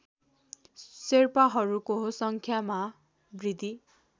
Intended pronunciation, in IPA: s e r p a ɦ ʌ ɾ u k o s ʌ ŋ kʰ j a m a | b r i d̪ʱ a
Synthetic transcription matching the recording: s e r p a ɦ ʌ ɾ u k o s ʌ ŋ kʰ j a m a | b r i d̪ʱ i